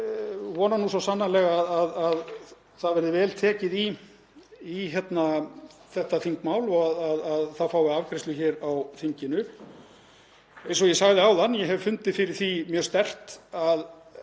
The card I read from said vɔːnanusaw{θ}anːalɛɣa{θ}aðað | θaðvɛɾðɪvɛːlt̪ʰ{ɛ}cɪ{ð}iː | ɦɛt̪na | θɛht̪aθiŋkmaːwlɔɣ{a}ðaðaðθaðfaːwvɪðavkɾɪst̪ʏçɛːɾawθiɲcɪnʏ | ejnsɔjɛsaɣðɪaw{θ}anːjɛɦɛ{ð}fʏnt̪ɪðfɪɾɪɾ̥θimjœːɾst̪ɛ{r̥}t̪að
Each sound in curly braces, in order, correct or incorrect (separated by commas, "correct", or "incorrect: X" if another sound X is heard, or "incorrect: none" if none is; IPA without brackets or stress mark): incorrect: s, incorrect: ð, incorrect: ɛː, correct, correct, incorrect: ð, incorrect: v, correct